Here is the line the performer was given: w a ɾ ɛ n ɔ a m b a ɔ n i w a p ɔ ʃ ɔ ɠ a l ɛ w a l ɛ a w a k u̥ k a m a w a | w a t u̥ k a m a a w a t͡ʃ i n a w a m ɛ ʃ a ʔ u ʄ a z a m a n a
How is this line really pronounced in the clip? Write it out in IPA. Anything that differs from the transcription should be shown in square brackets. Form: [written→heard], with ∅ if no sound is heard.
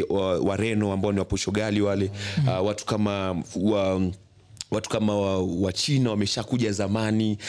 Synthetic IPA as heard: w a ɾ ɛ n ɔ a m b a ɔ n i w a p ɔ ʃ ɔ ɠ a l [ɛ→i] w a l ɛ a w a [k→t] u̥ k a m a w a | w a t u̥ k a m a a w a t͡ʃ i n a w a m ɛ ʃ a [ʔ→k] u ʄ a z a m a n [a→i]